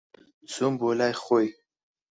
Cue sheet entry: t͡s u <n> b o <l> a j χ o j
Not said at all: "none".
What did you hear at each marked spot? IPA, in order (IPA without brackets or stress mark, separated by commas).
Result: m, l